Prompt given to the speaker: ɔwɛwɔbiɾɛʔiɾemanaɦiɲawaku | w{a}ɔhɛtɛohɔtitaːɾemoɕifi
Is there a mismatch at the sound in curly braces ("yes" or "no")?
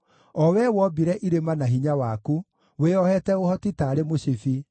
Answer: yes